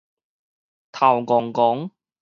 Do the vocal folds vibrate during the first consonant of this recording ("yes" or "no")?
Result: no